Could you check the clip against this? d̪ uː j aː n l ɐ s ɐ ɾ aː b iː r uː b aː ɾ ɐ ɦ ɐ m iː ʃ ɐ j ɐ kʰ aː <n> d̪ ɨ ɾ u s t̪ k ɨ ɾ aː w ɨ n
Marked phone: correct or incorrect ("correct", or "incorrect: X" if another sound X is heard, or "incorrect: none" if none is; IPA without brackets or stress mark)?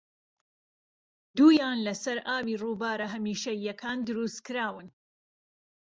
correct